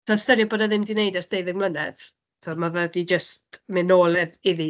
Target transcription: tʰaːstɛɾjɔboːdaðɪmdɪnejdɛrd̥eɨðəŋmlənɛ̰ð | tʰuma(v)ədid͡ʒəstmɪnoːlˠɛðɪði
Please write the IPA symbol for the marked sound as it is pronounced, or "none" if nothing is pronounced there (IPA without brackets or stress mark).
v